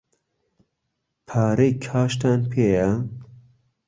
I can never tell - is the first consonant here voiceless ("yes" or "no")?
yes